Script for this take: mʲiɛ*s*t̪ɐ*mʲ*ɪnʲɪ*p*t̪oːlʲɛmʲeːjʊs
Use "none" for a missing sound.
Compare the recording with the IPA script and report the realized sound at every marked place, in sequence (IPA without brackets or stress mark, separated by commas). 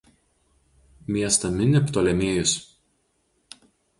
s, mʲ, p